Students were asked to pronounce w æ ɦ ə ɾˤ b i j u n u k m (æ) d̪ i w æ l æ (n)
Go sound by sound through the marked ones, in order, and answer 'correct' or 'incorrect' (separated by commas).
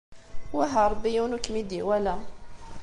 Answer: incorrect, incorrect